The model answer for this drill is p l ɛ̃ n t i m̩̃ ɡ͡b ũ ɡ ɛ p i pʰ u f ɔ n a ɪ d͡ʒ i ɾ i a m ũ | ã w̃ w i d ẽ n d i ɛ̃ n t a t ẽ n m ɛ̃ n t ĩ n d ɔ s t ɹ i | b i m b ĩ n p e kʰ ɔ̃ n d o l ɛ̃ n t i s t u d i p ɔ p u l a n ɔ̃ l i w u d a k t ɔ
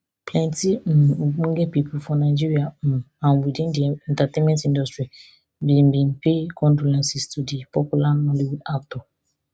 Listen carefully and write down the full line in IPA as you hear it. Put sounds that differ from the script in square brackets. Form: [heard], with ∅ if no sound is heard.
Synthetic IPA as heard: p l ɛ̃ n t i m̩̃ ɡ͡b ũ ɡ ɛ p i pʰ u f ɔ n a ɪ d͡ʒ i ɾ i a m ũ | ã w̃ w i d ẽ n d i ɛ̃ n t a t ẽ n m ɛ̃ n t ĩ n d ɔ s t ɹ i | b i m b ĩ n p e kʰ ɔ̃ n d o l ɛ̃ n [s] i s t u d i p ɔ p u l a n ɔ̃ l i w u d a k t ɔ